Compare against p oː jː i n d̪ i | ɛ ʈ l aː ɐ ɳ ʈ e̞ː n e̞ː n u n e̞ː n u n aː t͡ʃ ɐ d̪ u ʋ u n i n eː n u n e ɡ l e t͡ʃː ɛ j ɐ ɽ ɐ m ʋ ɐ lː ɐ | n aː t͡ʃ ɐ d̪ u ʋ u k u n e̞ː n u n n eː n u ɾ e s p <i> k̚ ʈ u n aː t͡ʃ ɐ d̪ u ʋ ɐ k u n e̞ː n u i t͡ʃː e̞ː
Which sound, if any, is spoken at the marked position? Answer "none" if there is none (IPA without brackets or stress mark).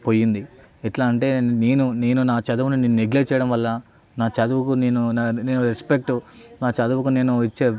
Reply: e